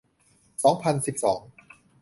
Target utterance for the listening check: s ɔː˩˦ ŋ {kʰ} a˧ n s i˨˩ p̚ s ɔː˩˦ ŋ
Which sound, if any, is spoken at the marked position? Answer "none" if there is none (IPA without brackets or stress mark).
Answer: pʰ